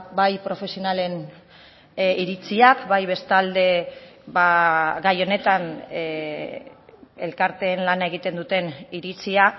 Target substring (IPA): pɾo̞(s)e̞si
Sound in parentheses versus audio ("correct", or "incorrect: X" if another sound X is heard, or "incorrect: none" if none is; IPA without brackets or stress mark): incorrect: f